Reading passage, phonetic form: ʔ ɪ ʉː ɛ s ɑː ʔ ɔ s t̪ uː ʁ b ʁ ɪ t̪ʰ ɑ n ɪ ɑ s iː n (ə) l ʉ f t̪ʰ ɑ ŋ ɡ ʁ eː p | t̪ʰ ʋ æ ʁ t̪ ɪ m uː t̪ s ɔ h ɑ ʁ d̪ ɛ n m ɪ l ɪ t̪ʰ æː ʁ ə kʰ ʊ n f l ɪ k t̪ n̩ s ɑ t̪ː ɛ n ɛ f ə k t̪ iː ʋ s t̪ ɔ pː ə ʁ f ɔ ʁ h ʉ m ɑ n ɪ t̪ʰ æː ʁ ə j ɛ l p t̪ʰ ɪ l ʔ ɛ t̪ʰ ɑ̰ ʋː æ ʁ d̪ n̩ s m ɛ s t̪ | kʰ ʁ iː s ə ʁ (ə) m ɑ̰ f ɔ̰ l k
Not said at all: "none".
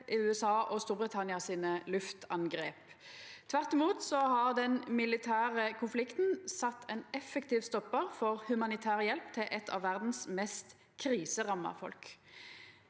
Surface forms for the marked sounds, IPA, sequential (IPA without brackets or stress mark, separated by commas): ə, ɑ